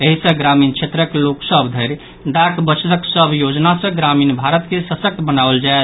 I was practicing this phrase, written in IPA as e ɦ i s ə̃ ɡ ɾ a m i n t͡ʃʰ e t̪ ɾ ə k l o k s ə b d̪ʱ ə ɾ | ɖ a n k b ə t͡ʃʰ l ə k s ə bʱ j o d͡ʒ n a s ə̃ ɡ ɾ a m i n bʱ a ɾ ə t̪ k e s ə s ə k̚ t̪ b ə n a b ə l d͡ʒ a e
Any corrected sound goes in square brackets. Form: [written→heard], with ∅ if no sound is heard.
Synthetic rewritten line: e ɦ i s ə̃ ɡ ɾ a m i n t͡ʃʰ e t̪ ɾ ə k l o k s ə b d̪ʱ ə ɾ | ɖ a [n→∅] k b ə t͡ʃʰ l ə k s ə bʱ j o d͡ʒ n a s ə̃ ɡ ɾ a m i n bʱ a ɾ ə t̪ k e s ə s ə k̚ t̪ b ə n a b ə l d͡ʒ a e